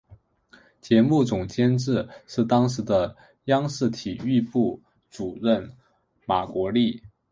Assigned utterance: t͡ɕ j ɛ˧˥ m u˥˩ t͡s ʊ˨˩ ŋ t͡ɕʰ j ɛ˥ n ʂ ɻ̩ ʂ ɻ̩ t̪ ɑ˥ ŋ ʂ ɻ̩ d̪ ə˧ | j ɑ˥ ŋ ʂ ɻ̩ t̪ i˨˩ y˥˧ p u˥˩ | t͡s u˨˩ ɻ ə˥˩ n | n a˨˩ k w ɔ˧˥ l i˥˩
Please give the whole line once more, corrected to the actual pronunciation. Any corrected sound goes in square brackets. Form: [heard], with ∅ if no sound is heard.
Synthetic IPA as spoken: t͡ɕ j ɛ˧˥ m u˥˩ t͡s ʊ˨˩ ŋ [t͡ɕ] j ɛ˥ n [ʈ͡ʂ] ɻ̩ ʂ ɻ̩ t̪ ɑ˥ ŋ ʂ ɻ̩ d̪ ə˧ | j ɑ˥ ŋ ʂ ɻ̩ [t̪ʰ] i˨˩ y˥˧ p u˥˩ | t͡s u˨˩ ɻ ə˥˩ n | [m] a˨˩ k w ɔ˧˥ l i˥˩